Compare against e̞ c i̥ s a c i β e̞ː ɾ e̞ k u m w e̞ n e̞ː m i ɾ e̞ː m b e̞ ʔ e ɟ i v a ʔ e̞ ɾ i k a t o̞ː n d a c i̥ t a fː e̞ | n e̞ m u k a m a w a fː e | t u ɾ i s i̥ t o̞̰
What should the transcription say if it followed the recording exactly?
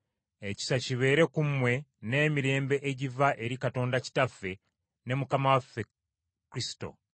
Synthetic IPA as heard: e̞ c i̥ s a c i β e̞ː ɾ e̞ k u m w e̞ n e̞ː m i ɾ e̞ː m b e̞ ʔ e ɟ i v a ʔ e̞ ɾ i k a t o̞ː n d a c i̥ t a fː e̞ | n e̞ m u k a m a w a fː e | k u ɾ i s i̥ t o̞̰